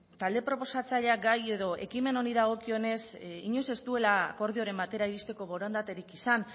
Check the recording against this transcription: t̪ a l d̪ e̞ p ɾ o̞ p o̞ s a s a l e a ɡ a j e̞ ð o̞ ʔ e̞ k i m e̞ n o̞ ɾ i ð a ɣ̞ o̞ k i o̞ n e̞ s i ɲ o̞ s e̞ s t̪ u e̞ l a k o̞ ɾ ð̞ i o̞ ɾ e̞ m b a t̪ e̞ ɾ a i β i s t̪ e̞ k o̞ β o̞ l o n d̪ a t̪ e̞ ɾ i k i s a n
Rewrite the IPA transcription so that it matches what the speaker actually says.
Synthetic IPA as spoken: t̪ a l d̪ e̞ p ɾ o̞ p o̞ s a t͡s a ʎ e a ɡ a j e̞ ð o̞ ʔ e̞ k i m e̞ n o̞ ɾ i ð a ɣ̞ o̞ k i o̞ n e̞ s i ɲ o̞ s e̞ s t̪ u e̞ l a k o̞ ɾ ð̞ i o̞ ɾ e̞ m b a t̪ e̞ ɾ a i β i s t̪ e̞ k o̞ β o̞ ɾ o n d̪ a t̪ e̞ ɾ i k i s a n